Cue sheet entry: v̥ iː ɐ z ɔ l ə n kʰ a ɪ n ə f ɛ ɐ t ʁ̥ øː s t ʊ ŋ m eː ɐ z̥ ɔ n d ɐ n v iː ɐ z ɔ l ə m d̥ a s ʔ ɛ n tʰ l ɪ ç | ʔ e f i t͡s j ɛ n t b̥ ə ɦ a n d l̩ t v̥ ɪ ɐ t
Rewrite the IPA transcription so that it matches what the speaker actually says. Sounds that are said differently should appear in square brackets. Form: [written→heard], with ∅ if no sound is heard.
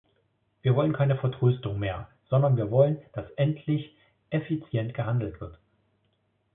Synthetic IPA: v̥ iː ɐ [z→v] ɔ l ə n kʰ a ɪ n ə f ɛ ɐ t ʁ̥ øː s t ʊ ŋ m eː ɐ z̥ ɔ n d ɐ n v iː ɐ [z→v] ɔ l ə [m→n] d̥ a s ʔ ɛ n tʰ l ɪ ç | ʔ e f i t͡s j ɛ n t [b̥→ɡ̥] ə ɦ a n d l̩ t v̥ ɪ ɐ t